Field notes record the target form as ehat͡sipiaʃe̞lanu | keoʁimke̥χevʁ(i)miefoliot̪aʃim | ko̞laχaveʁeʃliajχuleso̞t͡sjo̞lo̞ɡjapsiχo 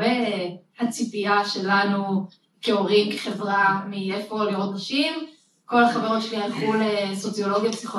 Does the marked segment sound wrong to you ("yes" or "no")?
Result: yes